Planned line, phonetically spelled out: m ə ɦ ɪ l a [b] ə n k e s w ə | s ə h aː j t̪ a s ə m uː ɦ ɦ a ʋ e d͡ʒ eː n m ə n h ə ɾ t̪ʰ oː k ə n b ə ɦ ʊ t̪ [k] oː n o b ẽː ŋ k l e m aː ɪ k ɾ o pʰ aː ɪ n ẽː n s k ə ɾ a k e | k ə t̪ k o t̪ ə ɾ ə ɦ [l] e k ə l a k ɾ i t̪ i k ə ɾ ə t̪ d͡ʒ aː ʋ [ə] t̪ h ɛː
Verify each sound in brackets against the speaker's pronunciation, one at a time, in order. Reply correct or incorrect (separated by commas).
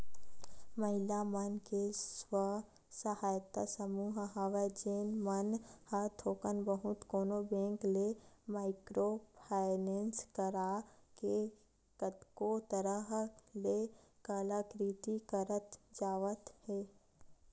incorrect, correct, correct, correct